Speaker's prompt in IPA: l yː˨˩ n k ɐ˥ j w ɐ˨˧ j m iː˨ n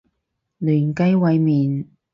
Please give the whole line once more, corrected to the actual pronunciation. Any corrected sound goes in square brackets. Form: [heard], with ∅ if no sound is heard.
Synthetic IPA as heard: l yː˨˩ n k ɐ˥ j w ɐ˨˧ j m iː˨ n